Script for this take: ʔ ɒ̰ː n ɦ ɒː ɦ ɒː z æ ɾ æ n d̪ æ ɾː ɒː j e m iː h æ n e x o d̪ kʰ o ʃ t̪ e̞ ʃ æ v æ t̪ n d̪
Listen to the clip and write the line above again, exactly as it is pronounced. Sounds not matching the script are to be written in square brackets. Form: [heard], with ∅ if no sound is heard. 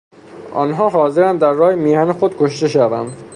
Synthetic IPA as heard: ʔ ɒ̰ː n ɦ ɒː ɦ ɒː z [e] ɾ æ n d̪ æ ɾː ɒː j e m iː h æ n e x o d̪ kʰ o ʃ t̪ e̞ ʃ æ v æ [∅] n d̪